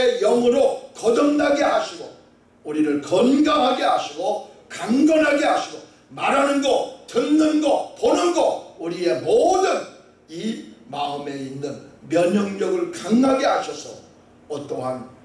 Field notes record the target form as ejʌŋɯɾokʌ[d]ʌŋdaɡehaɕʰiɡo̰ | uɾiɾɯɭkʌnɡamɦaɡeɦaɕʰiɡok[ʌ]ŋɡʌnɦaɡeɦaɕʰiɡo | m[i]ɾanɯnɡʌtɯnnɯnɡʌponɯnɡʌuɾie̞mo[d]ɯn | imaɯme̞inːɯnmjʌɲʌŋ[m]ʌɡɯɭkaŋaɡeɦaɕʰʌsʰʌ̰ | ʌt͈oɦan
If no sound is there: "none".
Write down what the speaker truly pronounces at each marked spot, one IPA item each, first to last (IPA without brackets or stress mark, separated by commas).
d, a, a, d, ɲ